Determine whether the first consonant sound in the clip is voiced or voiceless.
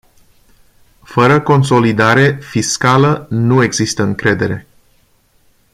voiceless